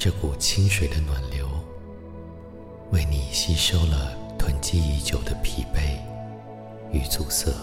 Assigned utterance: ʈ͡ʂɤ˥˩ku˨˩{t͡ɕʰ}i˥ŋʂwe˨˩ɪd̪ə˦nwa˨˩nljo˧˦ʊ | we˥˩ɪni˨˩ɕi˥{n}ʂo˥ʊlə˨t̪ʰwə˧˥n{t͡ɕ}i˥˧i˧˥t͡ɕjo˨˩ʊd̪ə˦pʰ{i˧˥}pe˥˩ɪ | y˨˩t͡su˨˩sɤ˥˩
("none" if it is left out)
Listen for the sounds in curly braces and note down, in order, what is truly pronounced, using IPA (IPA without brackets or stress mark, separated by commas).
t͡ɕʰ, none, t͡ɕ, i˨˩